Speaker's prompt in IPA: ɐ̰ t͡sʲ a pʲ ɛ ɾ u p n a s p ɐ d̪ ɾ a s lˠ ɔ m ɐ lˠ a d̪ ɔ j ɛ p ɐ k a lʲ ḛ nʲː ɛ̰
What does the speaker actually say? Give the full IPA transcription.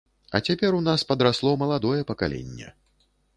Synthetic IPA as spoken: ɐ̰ t͡sʲ a pʲ ɛ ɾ u n a s p ɐ d̪ ɾ a s lˠ ɔ m ɐ lˠ a d̪ ɔ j ɛ p ɐ k a lʲ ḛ nʲː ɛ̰